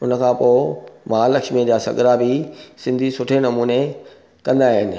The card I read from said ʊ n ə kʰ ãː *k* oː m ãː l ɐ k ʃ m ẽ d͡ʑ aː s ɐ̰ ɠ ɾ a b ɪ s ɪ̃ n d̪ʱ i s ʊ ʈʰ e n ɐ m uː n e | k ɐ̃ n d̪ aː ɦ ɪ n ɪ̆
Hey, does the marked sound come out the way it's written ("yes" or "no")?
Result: no